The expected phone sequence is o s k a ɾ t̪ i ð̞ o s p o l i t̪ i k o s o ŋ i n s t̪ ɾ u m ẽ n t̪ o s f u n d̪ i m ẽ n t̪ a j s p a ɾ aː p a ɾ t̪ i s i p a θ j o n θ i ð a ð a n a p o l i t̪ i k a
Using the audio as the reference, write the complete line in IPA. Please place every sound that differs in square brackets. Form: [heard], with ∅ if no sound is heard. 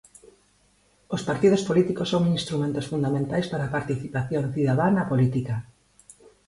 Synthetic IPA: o s [p] a ɾ t̪ i ð̞ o s p o l i t̪ i k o s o ŋ i n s t̪ ɾ u m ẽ n t̪ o s f u n d̪ [a] m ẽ n t̪ a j s p a ɾ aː p a ɾ t̪ i [θ] i p a θ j o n θ i ð a ð a n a p o l i t̪ i k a